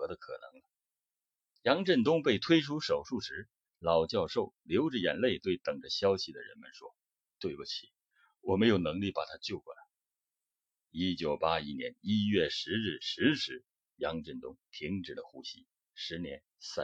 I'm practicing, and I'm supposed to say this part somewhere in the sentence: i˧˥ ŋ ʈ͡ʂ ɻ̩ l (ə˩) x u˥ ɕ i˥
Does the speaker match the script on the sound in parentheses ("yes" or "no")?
no